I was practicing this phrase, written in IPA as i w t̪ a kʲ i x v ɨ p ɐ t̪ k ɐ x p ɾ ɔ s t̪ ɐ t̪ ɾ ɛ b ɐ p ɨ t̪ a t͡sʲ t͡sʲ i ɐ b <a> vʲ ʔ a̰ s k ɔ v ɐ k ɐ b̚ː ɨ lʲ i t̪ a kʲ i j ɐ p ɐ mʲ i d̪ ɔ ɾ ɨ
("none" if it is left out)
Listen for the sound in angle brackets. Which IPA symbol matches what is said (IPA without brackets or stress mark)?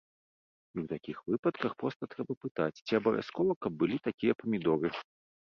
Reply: ɐ